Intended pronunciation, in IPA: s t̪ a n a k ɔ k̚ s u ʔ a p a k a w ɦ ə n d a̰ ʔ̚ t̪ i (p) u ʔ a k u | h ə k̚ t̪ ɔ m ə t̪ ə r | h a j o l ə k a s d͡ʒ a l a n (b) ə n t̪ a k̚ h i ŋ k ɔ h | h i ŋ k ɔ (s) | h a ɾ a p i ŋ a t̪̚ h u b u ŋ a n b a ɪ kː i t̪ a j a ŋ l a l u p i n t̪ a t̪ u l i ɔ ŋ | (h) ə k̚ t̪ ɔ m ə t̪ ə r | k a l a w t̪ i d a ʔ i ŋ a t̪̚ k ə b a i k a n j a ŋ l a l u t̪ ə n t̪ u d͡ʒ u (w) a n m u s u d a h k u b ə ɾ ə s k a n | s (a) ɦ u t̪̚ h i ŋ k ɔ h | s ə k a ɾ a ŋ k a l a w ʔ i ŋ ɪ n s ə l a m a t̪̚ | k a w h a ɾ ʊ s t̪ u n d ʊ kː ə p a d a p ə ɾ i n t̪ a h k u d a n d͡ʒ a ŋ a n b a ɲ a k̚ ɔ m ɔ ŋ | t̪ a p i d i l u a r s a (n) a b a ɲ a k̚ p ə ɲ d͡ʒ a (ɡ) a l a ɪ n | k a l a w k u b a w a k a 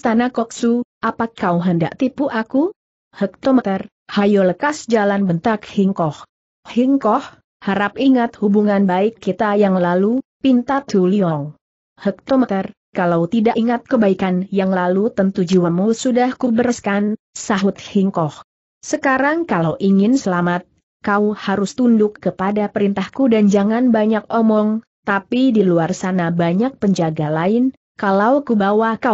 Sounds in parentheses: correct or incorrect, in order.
correct, correct, incorrect: h, correct, correct, correct, correct, correct

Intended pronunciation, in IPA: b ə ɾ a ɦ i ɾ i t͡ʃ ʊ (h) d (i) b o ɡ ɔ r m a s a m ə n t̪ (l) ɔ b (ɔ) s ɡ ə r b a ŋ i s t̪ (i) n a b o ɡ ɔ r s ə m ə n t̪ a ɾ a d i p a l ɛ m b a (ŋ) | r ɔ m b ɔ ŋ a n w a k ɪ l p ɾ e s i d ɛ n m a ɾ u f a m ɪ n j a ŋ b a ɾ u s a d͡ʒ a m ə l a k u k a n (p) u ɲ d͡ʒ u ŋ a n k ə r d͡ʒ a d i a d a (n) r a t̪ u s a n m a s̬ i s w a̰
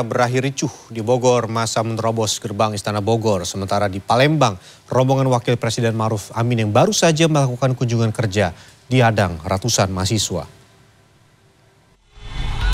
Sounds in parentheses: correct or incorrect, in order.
correct, correct, incorrect: ɾ, correct, incorrect: a, correct, incorrect: k, incorrect: ŋ

